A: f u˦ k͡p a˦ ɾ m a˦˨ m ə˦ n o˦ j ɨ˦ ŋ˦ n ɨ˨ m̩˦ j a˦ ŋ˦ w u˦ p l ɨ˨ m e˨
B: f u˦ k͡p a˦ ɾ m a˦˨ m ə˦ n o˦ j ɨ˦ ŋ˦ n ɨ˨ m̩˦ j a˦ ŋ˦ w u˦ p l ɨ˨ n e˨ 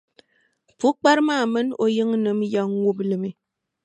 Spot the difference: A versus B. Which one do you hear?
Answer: A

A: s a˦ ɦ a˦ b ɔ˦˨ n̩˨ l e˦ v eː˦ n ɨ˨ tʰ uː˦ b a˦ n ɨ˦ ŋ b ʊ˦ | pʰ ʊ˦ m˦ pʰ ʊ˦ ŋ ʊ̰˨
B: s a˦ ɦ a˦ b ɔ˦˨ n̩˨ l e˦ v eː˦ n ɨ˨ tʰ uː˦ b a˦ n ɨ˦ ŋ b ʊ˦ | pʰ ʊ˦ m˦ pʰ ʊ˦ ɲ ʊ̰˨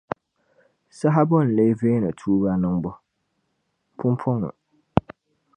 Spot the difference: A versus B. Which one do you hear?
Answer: A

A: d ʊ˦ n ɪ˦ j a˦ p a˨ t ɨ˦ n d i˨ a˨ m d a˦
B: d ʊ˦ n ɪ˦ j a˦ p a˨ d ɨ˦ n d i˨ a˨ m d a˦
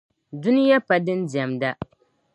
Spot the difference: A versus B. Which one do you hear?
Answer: B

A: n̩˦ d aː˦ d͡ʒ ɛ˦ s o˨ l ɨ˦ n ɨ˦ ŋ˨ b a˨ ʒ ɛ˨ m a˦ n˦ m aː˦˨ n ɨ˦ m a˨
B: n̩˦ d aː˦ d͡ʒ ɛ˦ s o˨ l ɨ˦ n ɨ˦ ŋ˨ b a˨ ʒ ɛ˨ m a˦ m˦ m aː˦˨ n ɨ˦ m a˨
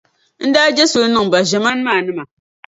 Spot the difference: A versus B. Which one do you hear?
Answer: A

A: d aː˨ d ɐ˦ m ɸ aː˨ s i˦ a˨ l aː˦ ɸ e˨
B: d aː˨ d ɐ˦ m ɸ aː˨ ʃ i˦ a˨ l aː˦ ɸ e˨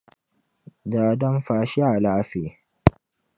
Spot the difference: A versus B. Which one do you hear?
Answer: B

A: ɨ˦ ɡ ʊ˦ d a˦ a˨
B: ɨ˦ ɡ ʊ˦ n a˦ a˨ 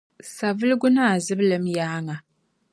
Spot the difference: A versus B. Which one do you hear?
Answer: B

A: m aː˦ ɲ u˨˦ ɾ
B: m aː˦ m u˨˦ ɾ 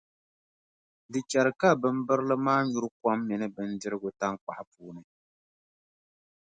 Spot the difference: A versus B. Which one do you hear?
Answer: A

